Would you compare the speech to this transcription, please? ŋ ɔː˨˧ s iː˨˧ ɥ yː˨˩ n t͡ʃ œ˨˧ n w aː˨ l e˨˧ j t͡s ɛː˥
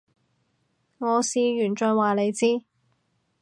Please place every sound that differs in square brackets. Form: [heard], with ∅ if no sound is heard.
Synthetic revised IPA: ŋ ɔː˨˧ s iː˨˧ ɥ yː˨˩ n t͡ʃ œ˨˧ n w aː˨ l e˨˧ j t͡s [iː˥]